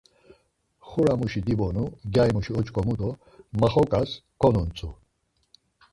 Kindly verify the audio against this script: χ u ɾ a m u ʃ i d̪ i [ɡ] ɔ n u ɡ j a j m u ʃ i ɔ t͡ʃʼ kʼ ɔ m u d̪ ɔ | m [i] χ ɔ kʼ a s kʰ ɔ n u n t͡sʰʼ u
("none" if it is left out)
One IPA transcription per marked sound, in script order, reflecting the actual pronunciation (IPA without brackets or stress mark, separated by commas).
b, a